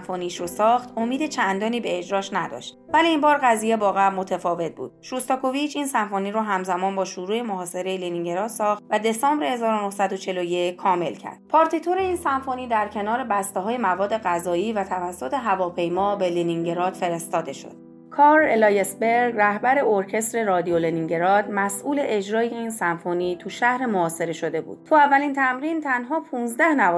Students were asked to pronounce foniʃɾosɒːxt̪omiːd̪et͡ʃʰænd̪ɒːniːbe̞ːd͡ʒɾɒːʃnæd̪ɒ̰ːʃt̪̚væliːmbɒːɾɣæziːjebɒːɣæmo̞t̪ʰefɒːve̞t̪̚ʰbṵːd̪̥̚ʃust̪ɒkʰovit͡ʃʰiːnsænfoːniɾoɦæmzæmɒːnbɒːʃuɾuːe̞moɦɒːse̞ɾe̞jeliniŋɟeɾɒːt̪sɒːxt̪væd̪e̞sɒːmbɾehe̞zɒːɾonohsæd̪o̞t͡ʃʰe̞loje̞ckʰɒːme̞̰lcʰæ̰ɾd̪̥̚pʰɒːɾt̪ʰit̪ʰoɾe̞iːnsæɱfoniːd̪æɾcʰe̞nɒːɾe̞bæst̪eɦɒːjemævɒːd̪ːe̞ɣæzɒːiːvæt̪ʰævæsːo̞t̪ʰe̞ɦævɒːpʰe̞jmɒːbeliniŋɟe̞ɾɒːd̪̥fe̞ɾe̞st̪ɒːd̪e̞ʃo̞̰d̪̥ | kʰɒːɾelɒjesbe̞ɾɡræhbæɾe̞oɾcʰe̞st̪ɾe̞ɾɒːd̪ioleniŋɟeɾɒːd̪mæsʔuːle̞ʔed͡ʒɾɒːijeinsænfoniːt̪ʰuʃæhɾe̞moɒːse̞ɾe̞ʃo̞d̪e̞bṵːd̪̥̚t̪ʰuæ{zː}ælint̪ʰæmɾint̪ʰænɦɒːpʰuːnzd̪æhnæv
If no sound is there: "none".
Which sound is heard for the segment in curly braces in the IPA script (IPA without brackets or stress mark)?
vː